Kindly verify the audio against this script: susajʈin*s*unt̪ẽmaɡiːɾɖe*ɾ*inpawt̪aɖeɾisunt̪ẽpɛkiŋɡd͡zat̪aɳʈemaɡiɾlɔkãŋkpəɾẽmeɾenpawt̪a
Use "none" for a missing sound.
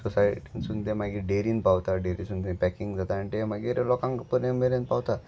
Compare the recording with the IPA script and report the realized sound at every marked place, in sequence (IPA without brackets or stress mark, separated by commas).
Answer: s, ɾ